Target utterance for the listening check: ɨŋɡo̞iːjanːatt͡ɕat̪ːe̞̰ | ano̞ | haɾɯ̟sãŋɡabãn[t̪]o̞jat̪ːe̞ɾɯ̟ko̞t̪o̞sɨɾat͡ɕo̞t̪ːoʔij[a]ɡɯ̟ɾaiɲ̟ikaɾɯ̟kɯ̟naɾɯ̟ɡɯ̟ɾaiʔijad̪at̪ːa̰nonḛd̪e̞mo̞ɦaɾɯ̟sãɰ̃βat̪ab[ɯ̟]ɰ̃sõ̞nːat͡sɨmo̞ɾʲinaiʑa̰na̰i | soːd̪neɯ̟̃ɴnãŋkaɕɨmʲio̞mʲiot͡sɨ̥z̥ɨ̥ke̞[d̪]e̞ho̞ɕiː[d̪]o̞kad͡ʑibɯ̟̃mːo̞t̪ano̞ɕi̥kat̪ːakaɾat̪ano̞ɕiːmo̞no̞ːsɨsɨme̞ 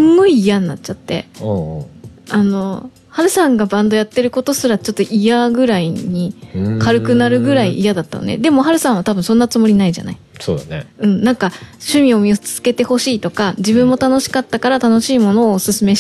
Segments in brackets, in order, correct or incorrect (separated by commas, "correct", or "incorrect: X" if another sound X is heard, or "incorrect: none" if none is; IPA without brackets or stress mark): incorrect: d̪, correct, correct, incorrect: t̪, incorrect: t̪